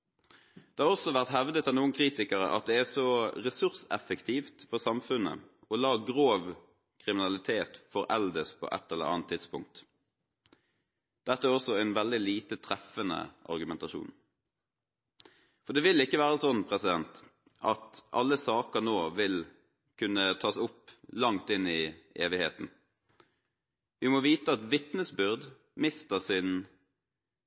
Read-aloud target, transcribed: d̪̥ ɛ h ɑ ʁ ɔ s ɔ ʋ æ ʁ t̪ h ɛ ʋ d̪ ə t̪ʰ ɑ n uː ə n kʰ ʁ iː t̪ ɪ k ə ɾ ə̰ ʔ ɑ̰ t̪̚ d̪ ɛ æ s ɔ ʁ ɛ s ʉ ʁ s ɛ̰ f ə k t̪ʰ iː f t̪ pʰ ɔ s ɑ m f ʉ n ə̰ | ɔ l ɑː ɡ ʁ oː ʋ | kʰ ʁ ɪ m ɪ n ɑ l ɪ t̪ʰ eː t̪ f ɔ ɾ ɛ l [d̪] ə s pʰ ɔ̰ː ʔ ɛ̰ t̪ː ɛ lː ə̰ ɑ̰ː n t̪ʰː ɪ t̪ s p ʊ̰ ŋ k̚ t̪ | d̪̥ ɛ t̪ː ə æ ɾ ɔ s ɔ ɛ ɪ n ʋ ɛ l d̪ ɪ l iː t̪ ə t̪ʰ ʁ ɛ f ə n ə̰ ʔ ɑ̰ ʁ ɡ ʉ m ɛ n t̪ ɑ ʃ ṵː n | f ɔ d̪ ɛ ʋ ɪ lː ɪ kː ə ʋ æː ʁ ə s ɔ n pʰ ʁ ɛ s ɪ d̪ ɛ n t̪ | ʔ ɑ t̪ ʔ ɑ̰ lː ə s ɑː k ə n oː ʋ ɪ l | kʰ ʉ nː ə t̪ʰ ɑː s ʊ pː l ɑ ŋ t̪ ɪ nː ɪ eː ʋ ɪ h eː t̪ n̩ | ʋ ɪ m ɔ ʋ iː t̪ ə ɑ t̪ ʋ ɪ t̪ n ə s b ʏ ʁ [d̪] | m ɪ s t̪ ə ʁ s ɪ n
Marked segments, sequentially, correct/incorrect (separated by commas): correct, correct